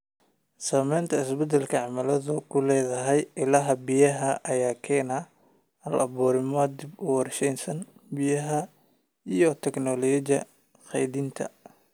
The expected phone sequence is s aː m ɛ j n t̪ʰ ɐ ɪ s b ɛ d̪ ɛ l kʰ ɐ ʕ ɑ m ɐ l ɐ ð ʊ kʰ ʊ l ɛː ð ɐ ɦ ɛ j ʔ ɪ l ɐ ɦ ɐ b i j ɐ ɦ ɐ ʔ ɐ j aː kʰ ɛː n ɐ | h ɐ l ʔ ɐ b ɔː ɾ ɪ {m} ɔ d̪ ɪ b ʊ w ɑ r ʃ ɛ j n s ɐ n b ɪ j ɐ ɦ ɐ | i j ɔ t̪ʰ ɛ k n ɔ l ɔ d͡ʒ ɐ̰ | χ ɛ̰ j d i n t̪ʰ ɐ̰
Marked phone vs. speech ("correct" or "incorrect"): correct